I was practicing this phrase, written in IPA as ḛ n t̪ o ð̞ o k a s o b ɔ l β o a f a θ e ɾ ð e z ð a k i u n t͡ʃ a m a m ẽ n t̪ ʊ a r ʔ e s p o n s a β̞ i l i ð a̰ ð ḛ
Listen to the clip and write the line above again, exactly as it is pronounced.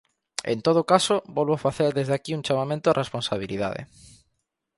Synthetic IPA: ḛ n t̪ o ð̞ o k a s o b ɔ l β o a f a θ e ɾ ð e z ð a k i u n t͡ʃ a m a m ẽ n t̪ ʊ a r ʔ e s p o n s a β̞ i l i ð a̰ ð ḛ